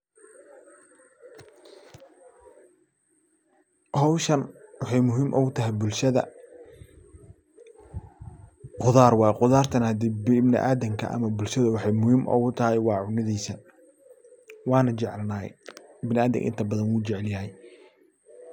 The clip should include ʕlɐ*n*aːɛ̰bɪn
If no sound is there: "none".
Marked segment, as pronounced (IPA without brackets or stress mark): n